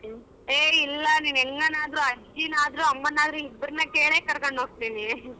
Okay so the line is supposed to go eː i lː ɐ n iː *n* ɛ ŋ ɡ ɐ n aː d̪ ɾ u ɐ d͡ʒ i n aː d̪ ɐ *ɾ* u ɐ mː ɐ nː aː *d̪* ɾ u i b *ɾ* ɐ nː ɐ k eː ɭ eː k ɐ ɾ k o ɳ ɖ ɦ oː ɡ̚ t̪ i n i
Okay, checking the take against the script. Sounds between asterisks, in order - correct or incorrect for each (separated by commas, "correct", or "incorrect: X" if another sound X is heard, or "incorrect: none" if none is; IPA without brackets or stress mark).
correct, correct, correct, correct